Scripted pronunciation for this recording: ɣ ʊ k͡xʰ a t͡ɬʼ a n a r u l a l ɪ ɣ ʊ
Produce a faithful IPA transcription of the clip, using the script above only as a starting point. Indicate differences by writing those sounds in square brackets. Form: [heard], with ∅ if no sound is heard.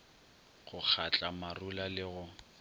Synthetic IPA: ɣ ʊ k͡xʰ a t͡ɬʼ a [m] a r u l a l ɪ ɣ ʊ